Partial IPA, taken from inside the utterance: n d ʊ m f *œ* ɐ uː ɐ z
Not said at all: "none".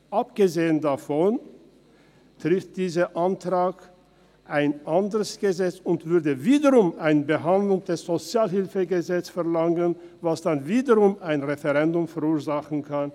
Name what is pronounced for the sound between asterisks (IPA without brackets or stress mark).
ɛ